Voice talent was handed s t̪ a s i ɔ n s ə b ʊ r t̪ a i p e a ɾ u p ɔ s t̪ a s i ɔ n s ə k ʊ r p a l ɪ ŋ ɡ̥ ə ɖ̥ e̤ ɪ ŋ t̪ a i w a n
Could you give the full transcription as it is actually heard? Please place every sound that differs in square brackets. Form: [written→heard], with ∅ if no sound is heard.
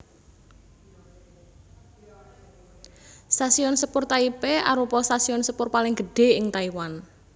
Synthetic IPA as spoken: s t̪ a s i ɔ n s ə [b→p] ʊ r t̪ a i p e a ɾ u p ɔ s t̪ a s i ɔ n s ə [k→p] ʊ r p a l ɪ ŋ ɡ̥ ə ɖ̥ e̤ ɪ ŋ t̪ a i w a n